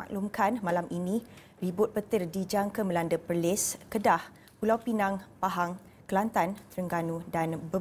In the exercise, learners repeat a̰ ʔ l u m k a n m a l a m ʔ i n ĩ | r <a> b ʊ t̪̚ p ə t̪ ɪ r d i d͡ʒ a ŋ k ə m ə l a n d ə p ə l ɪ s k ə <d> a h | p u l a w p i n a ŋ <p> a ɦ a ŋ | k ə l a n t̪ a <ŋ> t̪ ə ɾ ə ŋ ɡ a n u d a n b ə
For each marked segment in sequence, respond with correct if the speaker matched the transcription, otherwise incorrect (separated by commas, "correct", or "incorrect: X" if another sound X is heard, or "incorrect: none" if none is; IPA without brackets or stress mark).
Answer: incorrect: i, correct, correct, incorrect: n